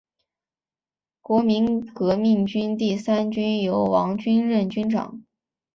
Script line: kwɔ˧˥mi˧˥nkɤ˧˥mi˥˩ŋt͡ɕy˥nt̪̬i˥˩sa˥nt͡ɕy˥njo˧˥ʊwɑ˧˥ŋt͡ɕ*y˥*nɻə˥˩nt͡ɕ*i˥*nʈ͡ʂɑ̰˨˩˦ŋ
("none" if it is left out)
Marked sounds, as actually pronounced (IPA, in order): y˥, y˥

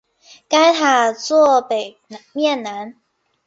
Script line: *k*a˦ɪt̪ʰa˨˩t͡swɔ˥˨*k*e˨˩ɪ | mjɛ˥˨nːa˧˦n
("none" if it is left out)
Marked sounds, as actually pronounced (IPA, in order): k, p

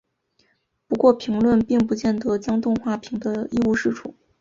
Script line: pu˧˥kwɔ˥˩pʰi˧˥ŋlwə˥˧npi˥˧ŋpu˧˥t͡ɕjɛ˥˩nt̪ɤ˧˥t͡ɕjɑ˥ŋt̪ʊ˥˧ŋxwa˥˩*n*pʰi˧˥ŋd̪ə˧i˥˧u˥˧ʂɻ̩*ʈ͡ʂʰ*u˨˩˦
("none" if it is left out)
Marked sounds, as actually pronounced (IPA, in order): none, ʈ͡ʂʰ

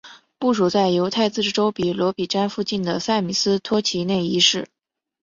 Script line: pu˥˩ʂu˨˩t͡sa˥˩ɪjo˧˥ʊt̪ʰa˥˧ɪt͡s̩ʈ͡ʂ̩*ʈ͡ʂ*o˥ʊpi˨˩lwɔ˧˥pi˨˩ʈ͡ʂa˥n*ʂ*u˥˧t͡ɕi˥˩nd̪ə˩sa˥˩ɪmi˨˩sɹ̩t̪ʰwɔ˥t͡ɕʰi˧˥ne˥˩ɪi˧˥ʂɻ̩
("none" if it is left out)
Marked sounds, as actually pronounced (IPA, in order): ʈ͡ʂ, f

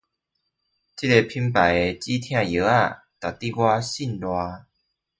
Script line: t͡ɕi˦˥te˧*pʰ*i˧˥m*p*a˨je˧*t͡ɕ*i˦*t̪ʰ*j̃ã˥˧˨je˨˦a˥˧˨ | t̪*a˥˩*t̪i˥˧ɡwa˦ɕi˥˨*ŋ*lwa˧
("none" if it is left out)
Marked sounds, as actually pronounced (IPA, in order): pʰ, p, t͡ɕ, t̪ʰ, a˨˩, n

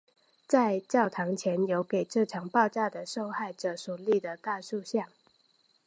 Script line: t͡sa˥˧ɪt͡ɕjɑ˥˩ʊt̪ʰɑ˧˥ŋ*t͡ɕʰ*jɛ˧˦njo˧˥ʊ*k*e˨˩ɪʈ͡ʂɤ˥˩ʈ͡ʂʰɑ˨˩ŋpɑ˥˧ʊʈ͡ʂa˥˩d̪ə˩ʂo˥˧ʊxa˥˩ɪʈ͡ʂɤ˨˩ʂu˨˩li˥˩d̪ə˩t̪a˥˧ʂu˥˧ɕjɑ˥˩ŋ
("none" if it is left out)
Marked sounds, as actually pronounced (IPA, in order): t͡ɕʰ, k

